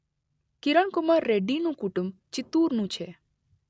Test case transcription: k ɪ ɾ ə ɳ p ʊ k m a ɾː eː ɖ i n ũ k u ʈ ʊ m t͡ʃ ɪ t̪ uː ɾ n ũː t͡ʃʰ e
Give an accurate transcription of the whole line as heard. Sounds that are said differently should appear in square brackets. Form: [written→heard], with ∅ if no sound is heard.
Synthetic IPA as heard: k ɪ ɾ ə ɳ [p→k] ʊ [k→∅] m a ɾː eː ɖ i n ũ k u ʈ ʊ m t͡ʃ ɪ t̪ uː ɾ n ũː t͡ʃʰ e